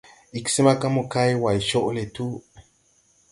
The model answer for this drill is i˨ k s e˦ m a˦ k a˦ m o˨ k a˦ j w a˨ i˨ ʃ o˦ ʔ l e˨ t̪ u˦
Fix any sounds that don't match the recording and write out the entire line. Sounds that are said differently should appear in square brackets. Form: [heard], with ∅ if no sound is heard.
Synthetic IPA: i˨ k s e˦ m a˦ k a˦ m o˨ k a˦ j w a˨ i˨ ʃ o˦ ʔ l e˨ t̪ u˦